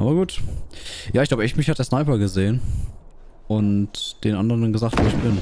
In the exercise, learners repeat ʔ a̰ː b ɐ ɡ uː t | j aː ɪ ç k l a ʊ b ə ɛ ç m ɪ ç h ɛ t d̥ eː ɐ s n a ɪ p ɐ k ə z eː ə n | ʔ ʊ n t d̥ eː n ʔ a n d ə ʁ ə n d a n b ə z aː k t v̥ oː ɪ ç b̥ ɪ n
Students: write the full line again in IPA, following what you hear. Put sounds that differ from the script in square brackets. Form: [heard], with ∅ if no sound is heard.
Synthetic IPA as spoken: ʔ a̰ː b ɐ ɡ uː t | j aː ɪ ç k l a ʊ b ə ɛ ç m ɪ ç h [a] t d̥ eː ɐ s n a ɪ p ɐ [ɡ] ə z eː ə n | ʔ ʊ n t d̥ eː n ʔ a n d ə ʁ ə n d a n [ɡ] ə z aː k t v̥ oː ɪ ç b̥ ɪ n

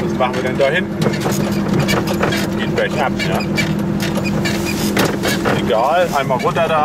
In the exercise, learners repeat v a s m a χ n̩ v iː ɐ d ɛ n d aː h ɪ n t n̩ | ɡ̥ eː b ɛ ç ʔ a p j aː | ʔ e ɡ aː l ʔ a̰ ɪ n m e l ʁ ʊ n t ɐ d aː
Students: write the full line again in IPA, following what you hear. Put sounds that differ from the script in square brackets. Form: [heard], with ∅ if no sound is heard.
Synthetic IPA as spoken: v a s m a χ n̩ v iː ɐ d ɛ n d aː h ɪ n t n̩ | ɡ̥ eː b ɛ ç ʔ a p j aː | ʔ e ɡ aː l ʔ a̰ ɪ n m [a] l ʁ ʊ n t ɐ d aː

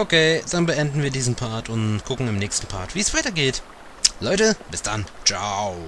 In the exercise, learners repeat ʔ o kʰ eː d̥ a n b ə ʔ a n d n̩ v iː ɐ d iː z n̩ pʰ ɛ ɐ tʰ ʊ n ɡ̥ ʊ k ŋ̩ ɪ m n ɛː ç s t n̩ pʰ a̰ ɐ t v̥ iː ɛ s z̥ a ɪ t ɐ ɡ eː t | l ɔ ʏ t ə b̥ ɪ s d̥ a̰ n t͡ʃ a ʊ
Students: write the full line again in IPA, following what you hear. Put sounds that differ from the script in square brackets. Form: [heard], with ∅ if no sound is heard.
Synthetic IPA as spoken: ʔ o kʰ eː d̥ a n b ə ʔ [ɛ] n d n̩ v iː ɐ d iː z n̩ pʰ [a] ɐ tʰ ʊ n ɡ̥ ʊ k ŋ̩ ɪ m n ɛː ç s t n̩ pʰ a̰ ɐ t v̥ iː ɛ s [v̥] a ɪ t ɐ ɡ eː t | l ɔ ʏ t ə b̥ ɪ s d̥ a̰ n t͡ʃ a ʊ

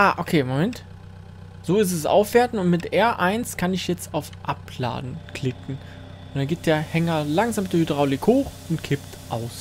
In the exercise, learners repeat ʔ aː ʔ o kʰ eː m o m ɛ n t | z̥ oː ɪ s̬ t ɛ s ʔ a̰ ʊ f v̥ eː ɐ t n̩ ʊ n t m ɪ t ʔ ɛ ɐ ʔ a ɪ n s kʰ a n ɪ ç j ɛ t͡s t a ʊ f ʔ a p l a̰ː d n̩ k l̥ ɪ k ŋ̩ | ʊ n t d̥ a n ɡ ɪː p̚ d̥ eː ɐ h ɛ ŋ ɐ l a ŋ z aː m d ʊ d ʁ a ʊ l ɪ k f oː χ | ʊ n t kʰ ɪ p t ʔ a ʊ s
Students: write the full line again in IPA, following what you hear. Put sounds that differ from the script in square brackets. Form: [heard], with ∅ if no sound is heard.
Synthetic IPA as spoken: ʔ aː ʔ o kʰ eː m o m ɛ n t | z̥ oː ɪ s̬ t ɛ s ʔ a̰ ʊ f v̥ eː ɐ t n̩ ʊ n t m ɪ t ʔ ɛ ɐ ʔ a ɪ n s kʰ a n ɪ ç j ɛ t͡s t a ʊ f ʔ a p l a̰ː d n̩ k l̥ ɪ k ŋ̩ | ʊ n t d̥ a n ɡ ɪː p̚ d̥ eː ɐ h ɛ ŋ ɐ l a ŋ z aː m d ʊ d ʁ a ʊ l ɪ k [h] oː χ | ʊ n t kʰ ɪ p t ʔ a ʊ s

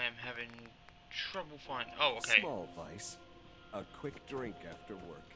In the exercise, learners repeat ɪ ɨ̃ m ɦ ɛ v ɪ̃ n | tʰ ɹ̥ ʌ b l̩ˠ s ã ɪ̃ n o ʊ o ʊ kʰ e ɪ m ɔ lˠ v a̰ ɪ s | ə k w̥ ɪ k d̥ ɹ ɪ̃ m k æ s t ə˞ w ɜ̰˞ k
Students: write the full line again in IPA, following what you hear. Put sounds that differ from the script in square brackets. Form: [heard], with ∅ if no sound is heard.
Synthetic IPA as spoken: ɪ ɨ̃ m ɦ [æ] v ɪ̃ [ŋ] | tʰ ɹ̥ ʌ b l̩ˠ [f] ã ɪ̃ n o ʊ o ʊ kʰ e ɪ m ɔ lˠ v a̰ ɪ s | ə [kʰ] w̥ ɪ k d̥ ɹ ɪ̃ [ŋ] k æ [f] t ə˞ w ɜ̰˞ k

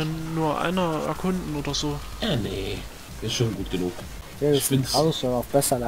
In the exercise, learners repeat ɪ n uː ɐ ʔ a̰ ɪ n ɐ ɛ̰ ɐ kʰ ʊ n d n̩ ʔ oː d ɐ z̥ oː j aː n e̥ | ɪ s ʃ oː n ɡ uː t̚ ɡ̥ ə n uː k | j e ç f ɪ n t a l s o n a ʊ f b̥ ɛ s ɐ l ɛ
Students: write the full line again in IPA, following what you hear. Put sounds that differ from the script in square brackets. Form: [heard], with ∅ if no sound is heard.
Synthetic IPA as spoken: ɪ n uː ɐ ʔ a̰ ɪ n ɐ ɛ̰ ɐ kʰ ʊ n d n̩ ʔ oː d ɐ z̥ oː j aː n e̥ | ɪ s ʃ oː n ɡ uː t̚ ɡ̥ ə n uː k | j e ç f ɪ n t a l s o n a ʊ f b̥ ɛ s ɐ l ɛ

